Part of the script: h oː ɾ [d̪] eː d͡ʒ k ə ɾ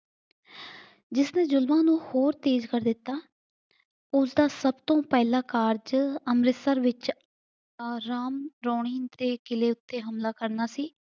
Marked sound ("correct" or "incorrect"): incorrect